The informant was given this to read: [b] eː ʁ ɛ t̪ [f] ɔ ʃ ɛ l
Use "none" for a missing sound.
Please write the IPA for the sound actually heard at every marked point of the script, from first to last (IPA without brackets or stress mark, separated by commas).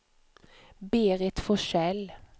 b, f